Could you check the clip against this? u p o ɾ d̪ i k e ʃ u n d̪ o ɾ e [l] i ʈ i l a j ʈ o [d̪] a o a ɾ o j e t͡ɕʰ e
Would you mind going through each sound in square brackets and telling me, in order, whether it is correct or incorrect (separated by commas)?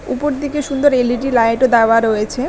correct, correct